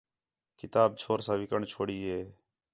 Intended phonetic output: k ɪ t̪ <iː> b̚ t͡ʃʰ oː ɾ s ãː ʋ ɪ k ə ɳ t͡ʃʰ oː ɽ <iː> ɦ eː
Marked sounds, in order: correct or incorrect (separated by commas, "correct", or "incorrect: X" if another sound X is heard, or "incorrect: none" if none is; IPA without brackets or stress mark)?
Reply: incorrect: aː, correct